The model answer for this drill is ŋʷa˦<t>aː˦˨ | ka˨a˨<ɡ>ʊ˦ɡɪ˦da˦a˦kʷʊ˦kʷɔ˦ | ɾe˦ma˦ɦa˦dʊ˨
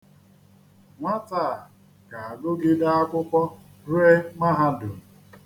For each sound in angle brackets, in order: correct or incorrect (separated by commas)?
correct, correct